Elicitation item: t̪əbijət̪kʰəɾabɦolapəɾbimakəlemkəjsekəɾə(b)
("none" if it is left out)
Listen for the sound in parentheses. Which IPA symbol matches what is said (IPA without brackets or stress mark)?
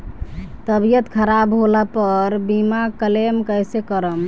m